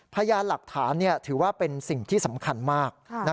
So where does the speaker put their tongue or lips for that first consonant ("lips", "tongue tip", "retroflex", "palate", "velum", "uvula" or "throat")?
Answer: lips